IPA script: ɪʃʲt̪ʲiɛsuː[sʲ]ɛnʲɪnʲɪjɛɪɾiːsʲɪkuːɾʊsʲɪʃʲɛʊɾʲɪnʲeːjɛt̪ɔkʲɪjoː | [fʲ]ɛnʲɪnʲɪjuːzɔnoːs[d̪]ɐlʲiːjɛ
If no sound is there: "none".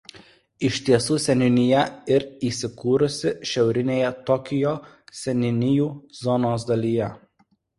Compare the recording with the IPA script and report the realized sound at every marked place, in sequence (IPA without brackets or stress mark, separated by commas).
sʲ, sʲ, d̪